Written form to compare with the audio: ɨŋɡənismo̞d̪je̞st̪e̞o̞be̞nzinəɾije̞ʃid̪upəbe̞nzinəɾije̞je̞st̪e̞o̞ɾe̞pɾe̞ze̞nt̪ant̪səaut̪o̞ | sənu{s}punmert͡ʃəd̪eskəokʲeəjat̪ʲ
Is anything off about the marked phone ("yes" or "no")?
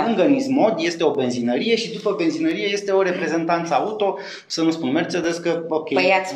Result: no